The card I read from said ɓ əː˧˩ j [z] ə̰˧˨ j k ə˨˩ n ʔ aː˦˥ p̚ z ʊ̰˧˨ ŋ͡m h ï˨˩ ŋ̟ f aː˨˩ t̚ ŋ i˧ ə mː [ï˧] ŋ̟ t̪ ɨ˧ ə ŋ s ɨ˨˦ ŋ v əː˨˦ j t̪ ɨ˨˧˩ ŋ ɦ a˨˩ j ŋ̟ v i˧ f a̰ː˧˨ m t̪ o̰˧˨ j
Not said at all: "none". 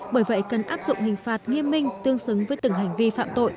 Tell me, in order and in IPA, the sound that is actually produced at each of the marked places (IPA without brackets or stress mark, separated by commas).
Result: v, ï˧